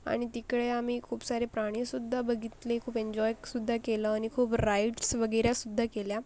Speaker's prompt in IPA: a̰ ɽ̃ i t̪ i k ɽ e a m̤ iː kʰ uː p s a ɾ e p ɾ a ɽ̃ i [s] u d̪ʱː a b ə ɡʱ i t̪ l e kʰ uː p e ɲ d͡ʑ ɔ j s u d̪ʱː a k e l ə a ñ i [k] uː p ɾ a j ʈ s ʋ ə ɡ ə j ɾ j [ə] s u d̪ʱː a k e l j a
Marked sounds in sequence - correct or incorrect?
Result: correct, incorrect: kʰ, incorrect: a

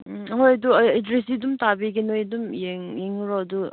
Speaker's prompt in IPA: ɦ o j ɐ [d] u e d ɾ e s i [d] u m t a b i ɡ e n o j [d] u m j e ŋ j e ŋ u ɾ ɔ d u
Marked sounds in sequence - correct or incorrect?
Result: correct, correct, correct

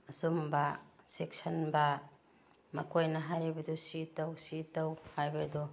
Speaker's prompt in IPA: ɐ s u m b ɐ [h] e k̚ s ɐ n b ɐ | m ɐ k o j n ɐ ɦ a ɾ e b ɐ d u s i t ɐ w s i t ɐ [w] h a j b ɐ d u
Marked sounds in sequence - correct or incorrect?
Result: incorrect: s, correct

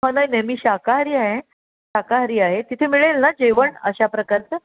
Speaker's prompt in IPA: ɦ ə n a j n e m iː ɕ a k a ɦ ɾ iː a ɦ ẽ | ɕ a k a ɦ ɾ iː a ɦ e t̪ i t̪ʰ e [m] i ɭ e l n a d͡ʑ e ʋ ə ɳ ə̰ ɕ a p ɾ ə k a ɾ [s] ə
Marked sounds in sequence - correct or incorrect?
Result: correct, incorrect: t͡s

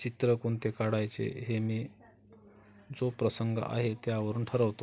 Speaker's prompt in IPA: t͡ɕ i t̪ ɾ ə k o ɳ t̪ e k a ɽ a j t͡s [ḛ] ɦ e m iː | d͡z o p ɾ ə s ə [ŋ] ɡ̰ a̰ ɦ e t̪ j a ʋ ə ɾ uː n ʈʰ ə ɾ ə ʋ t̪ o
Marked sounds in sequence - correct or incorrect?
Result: correct, correct

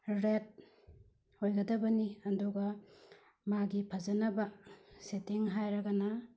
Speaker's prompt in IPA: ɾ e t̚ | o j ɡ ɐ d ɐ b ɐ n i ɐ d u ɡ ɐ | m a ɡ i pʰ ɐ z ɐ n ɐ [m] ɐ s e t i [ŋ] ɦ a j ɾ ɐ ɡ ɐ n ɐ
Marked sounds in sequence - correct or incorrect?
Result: incorrect: b, correct

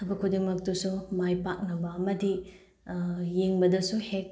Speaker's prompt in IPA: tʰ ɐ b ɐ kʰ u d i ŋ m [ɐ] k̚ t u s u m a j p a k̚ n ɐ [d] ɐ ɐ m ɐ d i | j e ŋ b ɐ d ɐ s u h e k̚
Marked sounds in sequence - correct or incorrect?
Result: correct, incorrect: b

